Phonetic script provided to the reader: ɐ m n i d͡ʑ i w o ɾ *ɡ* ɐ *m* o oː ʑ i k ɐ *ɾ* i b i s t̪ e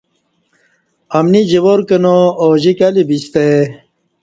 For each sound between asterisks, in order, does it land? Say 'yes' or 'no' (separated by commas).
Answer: no, no, no